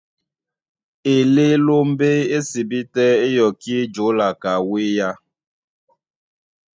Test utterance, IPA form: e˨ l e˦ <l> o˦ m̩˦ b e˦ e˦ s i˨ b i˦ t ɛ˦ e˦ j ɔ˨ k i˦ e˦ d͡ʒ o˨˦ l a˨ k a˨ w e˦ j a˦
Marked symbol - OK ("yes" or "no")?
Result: yes